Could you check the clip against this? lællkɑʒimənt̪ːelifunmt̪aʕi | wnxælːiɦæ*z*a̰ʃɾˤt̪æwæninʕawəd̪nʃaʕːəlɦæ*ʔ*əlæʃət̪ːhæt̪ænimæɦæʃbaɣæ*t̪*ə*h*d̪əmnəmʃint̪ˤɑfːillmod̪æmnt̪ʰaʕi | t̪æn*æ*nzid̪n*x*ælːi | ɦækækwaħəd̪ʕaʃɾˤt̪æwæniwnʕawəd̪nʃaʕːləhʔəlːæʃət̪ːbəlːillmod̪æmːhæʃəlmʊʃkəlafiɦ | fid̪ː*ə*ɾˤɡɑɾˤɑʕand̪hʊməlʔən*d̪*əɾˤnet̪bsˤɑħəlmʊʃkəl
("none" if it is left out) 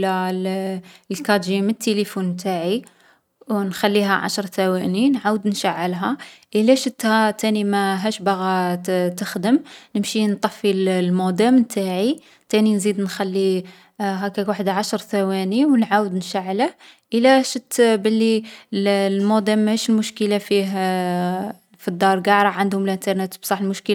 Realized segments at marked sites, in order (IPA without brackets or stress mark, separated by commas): ʕ, ʔ, t̪, x, i, x, ɑ, t̪